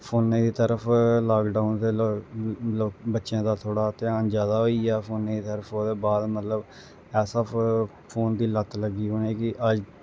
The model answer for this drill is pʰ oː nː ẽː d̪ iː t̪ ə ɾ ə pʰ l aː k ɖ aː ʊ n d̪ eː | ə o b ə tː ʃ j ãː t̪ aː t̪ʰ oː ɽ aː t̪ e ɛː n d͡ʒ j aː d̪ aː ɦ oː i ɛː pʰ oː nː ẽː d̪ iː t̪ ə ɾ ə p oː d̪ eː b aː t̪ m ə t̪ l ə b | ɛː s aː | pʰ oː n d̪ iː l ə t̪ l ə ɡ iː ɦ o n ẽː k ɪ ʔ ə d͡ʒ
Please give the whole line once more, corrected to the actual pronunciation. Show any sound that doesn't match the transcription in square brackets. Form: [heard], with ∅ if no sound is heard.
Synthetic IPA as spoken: pʰ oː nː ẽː d̪ iː t̪ ə ɾ ə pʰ l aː k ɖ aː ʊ n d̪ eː | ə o b ə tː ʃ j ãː [d̪] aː t̪ʰ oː ɽ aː t̪ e [aː] n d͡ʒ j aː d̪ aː ɦ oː i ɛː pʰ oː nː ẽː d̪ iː t̪ ə ɾ ə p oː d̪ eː b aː [d̪] m ə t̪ l ə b | ɛː s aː | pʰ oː n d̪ iː l ə t̪ l ə ɡ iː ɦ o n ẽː k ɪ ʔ ə d͡ʒ